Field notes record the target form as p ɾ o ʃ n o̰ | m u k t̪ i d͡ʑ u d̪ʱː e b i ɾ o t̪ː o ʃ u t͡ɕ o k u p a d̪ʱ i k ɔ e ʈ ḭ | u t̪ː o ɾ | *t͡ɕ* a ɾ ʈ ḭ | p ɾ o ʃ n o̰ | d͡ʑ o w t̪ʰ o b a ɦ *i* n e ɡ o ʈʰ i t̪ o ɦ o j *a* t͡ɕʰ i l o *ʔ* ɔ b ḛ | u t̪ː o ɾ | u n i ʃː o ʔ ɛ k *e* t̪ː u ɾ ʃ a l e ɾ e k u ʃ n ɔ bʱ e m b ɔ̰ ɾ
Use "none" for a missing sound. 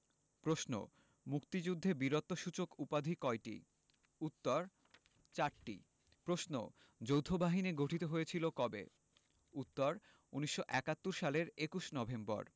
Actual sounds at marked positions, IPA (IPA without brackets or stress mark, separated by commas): t͡ɕ, i, e, k, a